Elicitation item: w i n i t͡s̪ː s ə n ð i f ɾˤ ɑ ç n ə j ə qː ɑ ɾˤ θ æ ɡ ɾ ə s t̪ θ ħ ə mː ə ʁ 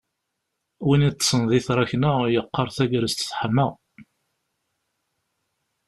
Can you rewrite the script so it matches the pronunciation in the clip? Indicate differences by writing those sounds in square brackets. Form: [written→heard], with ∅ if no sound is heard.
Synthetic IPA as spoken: w i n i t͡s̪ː s ə n ð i [f→θ] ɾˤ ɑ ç n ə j ə qː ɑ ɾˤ θ æ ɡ ɾ ə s t̪ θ ħ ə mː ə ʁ